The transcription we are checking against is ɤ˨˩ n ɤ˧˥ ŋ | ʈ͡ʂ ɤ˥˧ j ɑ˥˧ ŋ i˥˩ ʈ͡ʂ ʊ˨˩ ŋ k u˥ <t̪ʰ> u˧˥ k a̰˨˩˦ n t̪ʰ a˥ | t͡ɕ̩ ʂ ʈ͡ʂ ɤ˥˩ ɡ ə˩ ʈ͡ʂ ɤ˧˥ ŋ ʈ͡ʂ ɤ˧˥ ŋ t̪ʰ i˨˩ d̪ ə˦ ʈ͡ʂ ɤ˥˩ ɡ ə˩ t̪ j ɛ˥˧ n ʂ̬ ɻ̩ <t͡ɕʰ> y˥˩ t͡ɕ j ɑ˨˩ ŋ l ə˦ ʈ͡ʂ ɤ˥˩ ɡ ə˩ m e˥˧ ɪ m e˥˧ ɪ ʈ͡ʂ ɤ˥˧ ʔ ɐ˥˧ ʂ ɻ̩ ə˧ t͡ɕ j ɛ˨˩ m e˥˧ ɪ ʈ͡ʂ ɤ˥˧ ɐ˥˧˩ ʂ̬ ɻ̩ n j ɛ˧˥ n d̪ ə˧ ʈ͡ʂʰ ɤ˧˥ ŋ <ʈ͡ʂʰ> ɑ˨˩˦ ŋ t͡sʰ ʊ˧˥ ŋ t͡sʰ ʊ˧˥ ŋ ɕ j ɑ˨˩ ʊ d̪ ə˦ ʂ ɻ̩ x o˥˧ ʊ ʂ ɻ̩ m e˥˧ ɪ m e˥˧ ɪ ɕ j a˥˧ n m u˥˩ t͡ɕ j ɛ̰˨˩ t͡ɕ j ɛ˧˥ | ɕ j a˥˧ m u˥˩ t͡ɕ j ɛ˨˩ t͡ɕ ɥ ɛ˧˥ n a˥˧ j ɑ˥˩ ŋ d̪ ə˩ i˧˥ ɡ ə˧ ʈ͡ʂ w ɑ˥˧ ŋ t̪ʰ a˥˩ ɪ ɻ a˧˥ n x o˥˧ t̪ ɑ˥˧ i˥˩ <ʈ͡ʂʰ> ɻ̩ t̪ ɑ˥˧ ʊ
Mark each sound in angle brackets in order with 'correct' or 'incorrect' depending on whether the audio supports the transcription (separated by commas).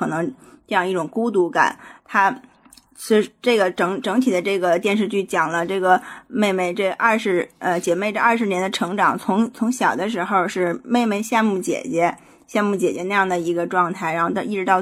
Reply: incorrect, incorrect, incorrect, incorrect